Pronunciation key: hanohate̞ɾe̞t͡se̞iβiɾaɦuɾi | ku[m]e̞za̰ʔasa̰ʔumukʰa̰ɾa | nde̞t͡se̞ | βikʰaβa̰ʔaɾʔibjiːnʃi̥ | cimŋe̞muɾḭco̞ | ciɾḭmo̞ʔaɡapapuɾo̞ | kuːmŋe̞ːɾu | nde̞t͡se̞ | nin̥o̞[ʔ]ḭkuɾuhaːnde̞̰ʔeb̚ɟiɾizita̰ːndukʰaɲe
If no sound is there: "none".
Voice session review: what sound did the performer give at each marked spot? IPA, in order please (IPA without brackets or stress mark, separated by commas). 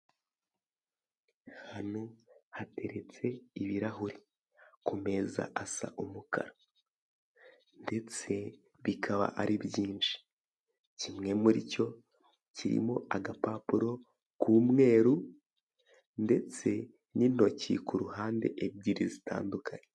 m, c